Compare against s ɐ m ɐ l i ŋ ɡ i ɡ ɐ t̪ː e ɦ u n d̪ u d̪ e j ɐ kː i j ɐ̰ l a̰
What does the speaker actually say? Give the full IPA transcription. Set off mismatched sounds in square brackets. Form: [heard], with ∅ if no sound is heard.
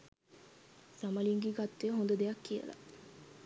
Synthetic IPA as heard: s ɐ m ɐ l i ŋ ɡ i ɡ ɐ t̪ː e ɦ [o] n d̪ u d̪ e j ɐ kː i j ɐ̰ l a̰